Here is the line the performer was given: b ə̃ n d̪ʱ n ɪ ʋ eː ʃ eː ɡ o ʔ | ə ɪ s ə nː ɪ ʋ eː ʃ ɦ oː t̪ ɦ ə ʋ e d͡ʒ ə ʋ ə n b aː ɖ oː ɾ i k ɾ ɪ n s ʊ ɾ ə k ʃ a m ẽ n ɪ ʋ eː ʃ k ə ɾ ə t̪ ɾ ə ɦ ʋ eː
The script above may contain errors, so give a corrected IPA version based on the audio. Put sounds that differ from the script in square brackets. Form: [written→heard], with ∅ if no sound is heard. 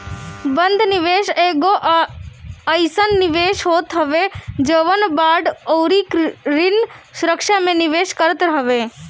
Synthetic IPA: b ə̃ n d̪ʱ n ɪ ʋ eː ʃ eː ɡ o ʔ | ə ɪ s ə nː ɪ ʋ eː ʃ ɦ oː t̪ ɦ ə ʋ e d͡ʒ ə ʋ ə n b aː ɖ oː ɾ i k ɾ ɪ n s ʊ ɾ ə k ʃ a m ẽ n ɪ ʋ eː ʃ k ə ɾ ə t̪ ɾ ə ɦ ʋ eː